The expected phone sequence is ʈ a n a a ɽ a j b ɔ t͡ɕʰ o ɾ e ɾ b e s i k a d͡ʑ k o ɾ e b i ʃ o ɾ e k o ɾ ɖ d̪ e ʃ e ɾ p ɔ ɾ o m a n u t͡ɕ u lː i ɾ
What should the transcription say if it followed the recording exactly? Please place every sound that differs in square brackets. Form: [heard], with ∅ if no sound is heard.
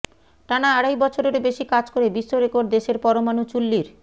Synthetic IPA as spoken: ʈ a n a a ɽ a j b ɔ t͡ɕʰ o ɾ e ɾ b e [ʃ] i k a d͡ʑ k o ɾ e b i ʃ o ɾ e k o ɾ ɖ d̪ e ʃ e ɾ p ɔ ɾ o m a n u t͡ɕ u lː i ɾ